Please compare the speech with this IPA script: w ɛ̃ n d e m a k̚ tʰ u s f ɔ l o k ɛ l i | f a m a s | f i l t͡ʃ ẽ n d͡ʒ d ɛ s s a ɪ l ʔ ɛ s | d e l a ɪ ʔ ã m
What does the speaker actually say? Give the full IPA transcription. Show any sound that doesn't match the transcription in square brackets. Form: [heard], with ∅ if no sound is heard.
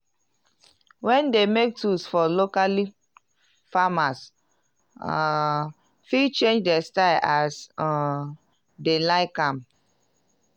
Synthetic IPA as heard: w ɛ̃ n d e m [e] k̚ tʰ u s f ɔ l o k [a] l i | f a m a s | f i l t͡ʃ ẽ n d͡ʒ d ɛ s [t] a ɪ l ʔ [a] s | d e l a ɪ [k] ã m